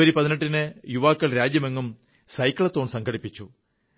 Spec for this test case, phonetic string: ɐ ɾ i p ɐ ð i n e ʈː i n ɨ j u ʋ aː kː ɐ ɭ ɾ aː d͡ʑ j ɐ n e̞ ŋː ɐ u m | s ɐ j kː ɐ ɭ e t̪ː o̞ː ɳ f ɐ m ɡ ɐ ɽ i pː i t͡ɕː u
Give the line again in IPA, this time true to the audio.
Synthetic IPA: ɐ ɾ i p ɐ ð i n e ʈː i n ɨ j u ʋ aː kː ɐ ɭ ɾ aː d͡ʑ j ɐ m e̞ ŋː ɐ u m | s ɐ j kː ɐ ɭ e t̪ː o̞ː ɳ s ɐ ŋ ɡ ɐ ɽ i pː i t͡ɕː u